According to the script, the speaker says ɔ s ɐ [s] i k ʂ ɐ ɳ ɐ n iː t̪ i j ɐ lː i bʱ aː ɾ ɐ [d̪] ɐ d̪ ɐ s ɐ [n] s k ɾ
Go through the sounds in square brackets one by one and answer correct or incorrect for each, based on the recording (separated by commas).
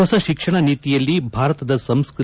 incorrect, incorrect, incorrect